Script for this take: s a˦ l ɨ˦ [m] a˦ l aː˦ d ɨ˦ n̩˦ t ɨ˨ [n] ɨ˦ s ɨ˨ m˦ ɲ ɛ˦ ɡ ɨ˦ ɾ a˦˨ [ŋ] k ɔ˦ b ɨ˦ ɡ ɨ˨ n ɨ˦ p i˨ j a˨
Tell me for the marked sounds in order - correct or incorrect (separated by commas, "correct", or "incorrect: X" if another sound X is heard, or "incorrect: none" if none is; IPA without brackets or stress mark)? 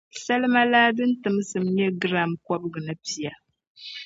correct, incorrect: m, incorrect: m